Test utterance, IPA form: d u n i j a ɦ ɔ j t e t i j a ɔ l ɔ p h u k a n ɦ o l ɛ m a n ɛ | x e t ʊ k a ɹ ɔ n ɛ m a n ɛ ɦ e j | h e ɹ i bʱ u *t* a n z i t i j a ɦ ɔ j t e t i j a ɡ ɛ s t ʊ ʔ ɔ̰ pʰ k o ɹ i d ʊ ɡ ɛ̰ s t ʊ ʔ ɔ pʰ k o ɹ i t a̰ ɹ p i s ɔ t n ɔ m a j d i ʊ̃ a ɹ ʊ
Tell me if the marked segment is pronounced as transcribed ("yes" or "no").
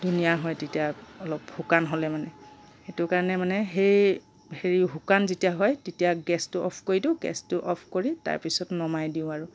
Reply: no